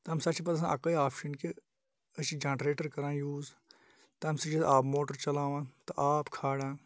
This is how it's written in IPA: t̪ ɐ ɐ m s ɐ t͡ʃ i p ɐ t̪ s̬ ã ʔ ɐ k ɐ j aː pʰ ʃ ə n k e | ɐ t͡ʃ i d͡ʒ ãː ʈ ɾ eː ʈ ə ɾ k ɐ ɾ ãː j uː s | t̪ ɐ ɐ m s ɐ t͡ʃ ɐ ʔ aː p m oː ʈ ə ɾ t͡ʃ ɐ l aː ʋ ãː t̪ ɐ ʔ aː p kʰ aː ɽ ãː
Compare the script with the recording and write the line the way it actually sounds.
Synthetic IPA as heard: t̪ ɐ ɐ m s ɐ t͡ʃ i p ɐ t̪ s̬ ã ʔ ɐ k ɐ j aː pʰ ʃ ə n k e | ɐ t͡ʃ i d͡ʒ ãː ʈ ɾ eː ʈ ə ɾ k ɐ ɾ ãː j uː z | t̪ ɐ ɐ m s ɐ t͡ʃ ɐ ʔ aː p m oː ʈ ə ɾ t͡ʃ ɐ l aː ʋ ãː t̪ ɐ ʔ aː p kʰ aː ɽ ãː